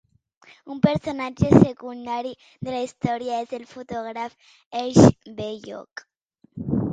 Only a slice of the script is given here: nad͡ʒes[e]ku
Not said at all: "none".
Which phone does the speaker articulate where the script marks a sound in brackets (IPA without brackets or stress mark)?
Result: e